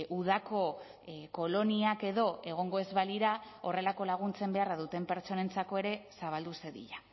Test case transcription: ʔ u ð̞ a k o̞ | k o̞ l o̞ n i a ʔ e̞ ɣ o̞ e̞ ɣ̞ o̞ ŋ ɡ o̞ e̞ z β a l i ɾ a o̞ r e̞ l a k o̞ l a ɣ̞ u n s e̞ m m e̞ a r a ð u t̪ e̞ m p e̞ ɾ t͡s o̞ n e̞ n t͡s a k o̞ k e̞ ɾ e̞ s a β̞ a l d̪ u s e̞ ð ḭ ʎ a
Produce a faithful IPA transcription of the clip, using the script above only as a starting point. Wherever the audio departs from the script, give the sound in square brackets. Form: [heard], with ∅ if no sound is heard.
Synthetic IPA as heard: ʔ u ð̞ a k o̞ | k o̞ l o̞ n i a [k] e̞ [ð] o̞ e̞ ɣ̞ o̞ ŋ ɡ o̞ e̞ z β a l i ɾ a o̞ r e̞ l a k o̞ l a ɣ̞ u n [t͡s] e̞ m [b] e̞ a r a ð u t̪ e̞ m p e̞ ɾ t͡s o̞ n e̞ n t͡s a k o̞ [∅] e̞ ɾ e̞ s a β̞ a l d̪ u s e̞ ð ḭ ʎ a